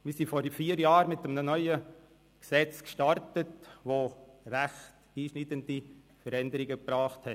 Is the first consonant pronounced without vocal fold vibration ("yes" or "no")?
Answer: no